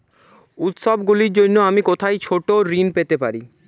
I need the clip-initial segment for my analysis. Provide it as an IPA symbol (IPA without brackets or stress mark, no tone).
u